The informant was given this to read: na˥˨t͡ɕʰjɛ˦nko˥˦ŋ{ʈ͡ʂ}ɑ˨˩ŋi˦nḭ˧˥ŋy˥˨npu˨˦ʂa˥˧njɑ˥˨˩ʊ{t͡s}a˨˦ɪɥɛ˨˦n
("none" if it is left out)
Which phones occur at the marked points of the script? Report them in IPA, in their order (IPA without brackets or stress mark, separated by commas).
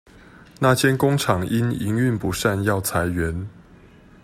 ʈ͡ʂʰ, t͡sʰ